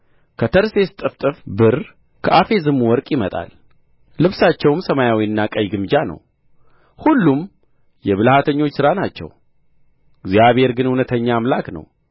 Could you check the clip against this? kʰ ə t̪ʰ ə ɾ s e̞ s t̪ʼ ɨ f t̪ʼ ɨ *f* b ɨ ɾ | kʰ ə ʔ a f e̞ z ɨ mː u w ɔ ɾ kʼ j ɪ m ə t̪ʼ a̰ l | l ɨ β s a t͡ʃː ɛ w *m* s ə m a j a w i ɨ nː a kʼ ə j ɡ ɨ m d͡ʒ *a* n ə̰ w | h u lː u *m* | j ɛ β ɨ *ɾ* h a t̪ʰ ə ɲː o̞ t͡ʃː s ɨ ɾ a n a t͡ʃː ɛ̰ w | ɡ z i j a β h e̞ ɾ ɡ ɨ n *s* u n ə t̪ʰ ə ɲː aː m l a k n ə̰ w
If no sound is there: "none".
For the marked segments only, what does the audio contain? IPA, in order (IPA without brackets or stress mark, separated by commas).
f, m, a, m, l, h